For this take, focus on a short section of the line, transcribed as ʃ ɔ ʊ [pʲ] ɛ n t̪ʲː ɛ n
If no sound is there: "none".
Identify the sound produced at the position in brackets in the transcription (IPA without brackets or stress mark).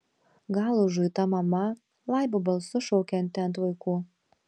kʲ